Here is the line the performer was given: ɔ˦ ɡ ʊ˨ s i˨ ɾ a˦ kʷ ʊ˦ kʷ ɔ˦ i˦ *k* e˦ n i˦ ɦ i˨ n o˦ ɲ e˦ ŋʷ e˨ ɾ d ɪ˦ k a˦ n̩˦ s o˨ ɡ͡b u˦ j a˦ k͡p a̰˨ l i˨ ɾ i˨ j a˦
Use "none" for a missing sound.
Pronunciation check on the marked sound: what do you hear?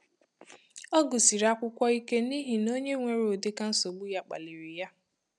k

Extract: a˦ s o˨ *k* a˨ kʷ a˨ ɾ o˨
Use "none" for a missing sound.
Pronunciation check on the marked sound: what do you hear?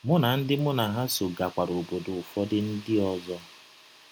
ɡ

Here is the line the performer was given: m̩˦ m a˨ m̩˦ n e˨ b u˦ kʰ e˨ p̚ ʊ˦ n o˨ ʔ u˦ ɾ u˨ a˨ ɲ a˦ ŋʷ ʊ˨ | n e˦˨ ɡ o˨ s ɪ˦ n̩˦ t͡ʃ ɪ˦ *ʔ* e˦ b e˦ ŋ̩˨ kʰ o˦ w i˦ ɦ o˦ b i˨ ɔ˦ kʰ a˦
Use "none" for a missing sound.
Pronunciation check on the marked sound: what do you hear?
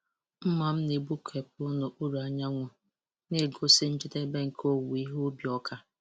t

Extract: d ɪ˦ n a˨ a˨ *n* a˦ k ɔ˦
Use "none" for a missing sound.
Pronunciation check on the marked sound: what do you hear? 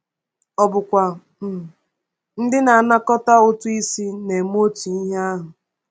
n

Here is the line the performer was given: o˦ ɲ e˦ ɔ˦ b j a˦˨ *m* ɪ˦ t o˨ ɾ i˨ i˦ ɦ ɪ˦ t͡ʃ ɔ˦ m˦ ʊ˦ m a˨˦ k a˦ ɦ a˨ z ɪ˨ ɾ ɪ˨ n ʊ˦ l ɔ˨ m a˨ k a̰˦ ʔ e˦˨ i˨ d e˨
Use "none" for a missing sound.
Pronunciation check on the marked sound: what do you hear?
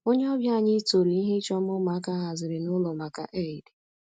ɲ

